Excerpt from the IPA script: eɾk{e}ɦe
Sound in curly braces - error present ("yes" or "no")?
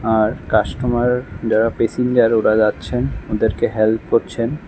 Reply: no